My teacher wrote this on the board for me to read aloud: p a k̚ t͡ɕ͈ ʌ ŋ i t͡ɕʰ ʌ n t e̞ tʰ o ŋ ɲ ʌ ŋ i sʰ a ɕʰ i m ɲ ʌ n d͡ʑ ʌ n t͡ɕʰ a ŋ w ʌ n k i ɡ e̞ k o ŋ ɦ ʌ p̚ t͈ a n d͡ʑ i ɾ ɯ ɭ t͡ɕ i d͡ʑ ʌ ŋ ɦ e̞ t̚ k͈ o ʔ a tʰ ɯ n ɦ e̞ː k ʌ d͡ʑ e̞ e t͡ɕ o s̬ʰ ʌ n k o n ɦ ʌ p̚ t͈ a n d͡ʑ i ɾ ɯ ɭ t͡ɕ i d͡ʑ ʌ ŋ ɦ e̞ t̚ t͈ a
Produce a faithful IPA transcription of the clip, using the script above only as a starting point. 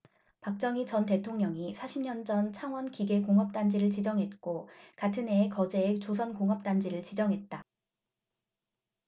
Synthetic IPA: p a k̚ t͡ɕ͈ ʌ ŋ i t͡ɕ ʌ n t e̞ tʰ o ŋ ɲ ʌ ŋ i sʰ a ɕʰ i m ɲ ʌ n d͡ʑ ʌ n t͡ɕʰ a ŋ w ʌ n k i ɡ e̞ k o ŋ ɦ ʌ p̚ t͈ a n d͡ʑ i ɾ ɯ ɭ t͡ɕ i d͡ʑ ʌ ŋ ɦ e̞ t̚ k͈ o k a tʰ ɯ n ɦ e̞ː k ʌ d͡ʑ e̞ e t͡ɕ o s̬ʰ ʌ n k o ŋ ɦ ʌ p̚ t͈ a n d͡ʑ i ɾ ɯ ɭ t͡ɕ i d͡ʑ ʌ ŋ ɦ e̞ t̚ t͈ a

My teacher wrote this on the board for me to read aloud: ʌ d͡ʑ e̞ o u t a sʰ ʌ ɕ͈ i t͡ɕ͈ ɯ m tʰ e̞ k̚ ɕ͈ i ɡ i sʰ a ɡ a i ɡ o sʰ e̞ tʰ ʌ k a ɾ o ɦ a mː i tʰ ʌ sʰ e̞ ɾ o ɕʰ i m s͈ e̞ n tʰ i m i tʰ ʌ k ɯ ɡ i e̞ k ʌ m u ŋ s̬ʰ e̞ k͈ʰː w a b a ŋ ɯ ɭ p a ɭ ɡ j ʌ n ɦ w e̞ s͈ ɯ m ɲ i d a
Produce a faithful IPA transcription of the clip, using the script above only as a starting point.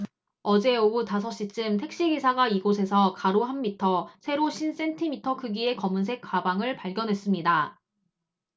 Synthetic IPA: ʌ d͡ʑ e̞ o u t a sʰ ʌ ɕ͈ i t͡ɕ͈ ɯ m tʰ e̞ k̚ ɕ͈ i ɡ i sʰ a ɡ a i ɡ o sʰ e̞ sʰ ʌ k a ɾ o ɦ a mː i tʰ ʌ sʰ e̞ ɾ o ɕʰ i n s͈ e̞ n tʰ i m i tʰ ʌ k ɯ ɡ i e̞ k ʌ m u n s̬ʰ e̞ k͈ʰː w a b a ŋ ɯ ɭ p a ɭ ɡ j ʌ n ɦ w e̞ s͈ ɯ m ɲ i d a

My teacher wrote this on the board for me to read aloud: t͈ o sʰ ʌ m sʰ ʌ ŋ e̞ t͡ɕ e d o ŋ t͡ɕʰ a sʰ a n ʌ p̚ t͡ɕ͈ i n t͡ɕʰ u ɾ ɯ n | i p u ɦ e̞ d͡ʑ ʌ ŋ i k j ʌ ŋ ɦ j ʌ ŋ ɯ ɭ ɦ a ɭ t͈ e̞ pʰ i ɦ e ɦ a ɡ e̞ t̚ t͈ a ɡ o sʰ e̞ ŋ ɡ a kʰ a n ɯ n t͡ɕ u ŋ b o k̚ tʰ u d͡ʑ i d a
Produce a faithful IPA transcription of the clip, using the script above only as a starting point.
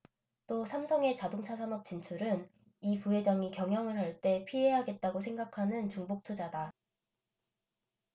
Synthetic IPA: t͈ o sʰ a m sʰ ʌ ŋ e̞ t͡ɕ a d o ŋ t͡ɕʰ a sʰ a n ʌ p̚ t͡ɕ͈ i n t͡ɕʰ u ɾ ɯ n | i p u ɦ e̞ d͡ʑ ʌ ŋ i k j ʌ ŋ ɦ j ʌ ŋ ɯ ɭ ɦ a ɭ t͈ e̞ pʰ i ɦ e ɦ a ɡ e̞ t̚ t͈ a ɡ o sʰ e̞ ŋ ɡ a kʰ a n ɯ n t͡ɕ u ŋ b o k̚ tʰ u d͡ʑ a d a

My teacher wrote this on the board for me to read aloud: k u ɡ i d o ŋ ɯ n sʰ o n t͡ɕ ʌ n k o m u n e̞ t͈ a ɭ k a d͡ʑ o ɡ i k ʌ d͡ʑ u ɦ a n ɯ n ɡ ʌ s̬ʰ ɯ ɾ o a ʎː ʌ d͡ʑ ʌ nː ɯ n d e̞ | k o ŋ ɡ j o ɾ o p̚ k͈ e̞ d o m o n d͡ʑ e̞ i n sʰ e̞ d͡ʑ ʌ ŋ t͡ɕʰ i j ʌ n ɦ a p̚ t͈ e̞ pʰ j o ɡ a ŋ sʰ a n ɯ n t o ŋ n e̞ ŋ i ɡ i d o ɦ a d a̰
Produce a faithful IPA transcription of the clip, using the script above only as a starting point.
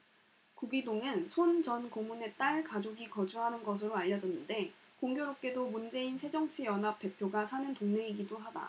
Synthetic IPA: k u ɡ i d o ŋ ɯ n sʰ o n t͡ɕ ʌ n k o m u n e̞ t͈ a ɭ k a d͡ʑ o ɡ i k ʌ d͡ʑ u ɦ a n ɯ n ɡ ʌ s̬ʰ ɯ ɾ o a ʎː ʌ d͡ʑ ʌ nː ɯ n d e̞ | k o ŋ ɡ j o ɾ o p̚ k͈ e̞ d o m u n d͡ʑ e̞ i n sʰ e̞ d͡ʑ ʌ ŋ t͡ɕʰ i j ʌ n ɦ a p̚ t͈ e̞ pʰ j o ɡ a sʰ a n ɯ n t o ŋ n e̞ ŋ i ɡ i d o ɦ a d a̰

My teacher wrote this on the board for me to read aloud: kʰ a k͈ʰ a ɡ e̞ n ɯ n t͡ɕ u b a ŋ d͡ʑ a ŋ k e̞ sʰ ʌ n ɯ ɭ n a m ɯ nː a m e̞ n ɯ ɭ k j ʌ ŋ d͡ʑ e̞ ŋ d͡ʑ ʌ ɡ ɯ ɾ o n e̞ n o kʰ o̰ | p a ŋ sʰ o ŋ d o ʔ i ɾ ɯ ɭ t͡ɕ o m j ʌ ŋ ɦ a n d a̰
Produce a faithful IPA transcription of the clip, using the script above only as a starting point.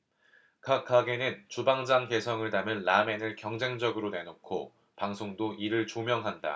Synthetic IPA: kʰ a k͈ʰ a ɡ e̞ n ɯ n t͡ɕ u b a ŋ d͡ʑ a ŋ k e̞ sʰ ʌ ŋ ɯ ɭ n a m ɯ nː a m e̞ n ɯ ɭ k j ʌ ŋ d͡ʑ e̞ ŋ d͡ʑ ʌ ɡ ɯ ɾ o n e̞ n o kʰ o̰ | p a ŋ sʰ o ŋ d o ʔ i ɾ ɯ ɭ t͡ɕ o m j ʌ ŋ ɦ a n d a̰

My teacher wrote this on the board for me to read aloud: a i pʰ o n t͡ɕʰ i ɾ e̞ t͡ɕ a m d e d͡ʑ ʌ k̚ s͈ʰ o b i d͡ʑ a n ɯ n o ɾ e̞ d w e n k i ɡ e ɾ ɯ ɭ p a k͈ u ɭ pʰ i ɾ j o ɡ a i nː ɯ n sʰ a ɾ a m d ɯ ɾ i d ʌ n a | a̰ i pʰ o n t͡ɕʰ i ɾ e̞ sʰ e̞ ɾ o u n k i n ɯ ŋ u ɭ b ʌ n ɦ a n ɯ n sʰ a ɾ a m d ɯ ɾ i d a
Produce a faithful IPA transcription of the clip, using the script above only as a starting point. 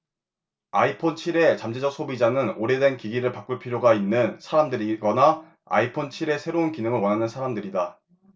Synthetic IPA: a i pʰ o n t͡ɕʰ i ɾ e̞ t͡ɕ a m d͡ʑ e d͡ʑ ʌ k̚ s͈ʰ o b i d͡ʑ a n ɯ n o ɾ e̞ d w e n k i ɡ i ɾ ɯ ɭ p a k͈ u ɭ pʰ i ɾ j o ɡ a i nː ɯ n sʰ a ɾ a m d ɯ ɾ i ɡ ʌ n a | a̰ i pʰ o n t͡ɕʰ i ɾ e̞ sʰ e̞ ɾ o u n k i n ɯ ŋ ɯ ɭ w ʌ n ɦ a n ɯ n sʰ a ɾ a m d ɯ ɾ i d a

